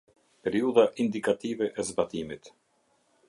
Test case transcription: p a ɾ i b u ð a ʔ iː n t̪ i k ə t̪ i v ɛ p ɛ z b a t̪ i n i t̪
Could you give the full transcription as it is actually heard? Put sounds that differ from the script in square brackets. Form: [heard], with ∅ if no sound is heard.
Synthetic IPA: p [ɛ] ɾ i [∅] u ð a ʔ [i] n [d̪] i k [a] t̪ i v ɛ [ʔ] ɛ z b a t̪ i [m] i t̪